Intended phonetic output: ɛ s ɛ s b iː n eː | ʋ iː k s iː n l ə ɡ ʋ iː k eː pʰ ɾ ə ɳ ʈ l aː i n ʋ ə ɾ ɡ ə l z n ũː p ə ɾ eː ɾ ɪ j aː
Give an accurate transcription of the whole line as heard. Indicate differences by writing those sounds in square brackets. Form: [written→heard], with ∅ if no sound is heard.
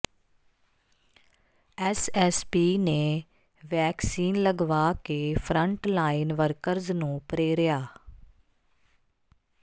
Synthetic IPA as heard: ɛ s ɛ s [b→p] iː n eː | ʋ [iː→ɛː] k s iː n l ə ɡ ʋ [iː→aː] k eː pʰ ɾ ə ɳ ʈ l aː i n ʋ ə ɾ [ɡ→k] ə [l→ɾ] z n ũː p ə ɾ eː ɾ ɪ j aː